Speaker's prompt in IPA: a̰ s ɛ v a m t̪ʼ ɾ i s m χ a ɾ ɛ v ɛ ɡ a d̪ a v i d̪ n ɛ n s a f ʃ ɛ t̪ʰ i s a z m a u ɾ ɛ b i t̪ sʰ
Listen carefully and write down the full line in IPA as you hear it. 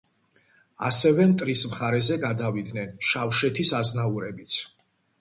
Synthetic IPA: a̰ s ɛ v ɛ m t̪ʼ ɾ i s m χ a ɾ ɛ z ɛ ɡ a d̪ a v i d̪ n ɛ n ʃ a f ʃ ɛ t̪ʰ i s a z n a u ɾ ɛ b i t̪ sʰ